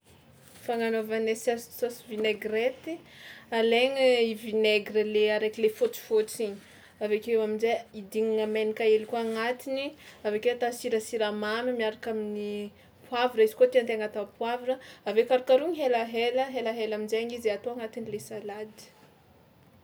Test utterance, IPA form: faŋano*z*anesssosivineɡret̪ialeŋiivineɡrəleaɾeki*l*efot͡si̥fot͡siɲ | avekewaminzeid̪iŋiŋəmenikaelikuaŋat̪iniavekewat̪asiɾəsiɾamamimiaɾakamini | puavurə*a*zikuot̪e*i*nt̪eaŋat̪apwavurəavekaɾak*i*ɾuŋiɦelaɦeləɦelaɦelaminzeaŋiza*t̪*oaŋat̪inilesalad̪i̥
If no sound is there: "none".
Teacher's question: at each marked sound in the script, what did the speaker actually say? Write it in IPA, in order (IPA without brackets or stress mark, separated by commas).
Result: v, l, i, a, a, t̪